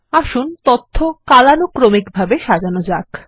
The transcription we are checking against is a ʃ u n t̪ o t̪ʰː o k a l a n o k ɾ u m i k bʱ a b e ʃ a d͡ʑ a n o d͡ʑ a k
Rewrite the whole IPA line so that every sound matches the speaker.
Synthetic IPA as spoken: a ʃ u n t̪ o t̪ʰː o k a l a n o k ɾ o m i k bʱ a b e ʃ a d͡ʑ a n o d͡ʑ a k